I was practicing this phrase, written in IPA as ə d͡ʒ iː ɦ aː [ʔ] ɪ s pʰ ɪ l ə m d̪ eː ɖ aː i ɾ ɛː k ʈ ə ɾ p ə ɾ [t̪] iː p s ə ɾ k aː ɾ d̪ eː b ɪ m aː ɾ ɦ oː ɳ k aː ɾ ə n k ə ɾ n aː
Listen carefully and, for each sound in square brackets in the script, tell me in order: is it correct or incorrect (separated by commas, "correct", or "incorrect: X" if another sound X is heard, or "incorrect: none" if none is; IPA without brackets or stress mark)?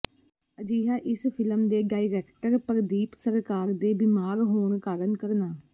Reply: correct, incorrect: d̪